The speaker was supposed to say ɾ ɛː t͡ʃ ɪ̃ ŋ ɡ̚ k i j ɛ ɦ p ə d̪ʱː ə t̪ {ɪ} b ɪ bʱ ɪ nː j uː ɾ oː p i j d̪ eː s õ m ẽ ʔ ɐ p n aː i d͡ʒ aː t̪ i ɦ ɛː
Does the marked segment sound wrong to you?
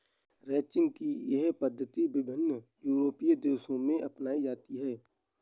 yes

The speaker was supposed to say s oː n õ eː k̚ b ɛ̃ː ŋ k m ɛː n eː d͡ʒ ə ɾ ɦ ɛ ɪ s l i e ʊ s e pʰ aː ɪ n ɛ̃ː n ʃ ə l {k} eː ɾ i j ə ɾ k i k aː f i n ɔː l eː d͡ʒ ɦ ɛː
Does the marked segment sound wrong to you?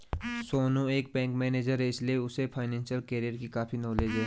no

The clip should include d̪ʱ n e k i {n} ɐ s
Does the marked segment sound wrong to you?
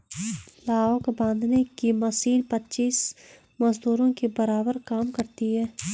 yes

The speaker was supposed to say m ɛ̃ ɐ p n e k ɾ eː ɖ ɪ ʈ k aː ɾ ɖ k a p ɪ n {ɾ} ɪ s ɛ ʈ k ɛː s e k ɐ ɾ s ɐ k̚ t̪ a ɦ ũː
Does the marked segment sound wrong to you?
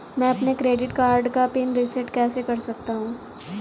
no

